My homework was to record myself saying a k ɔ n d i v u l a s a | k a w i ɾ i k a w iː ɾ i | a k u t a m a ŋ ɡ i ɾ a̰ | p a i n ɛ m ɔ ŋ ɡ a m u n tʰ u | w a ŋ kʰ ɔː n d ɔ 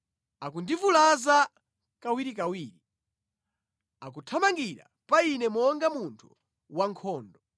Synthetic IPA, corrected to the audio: a k u n d i v u l a z a | k a w i ɾ i k a w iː ɾ i | a k u tʰ a m a ŋ ɡ i ɾ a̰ | p a i n ɛ m ɔ ŋ ɡ a m u n tʰ u | w a ŋ kʰ ɔː n d ɔ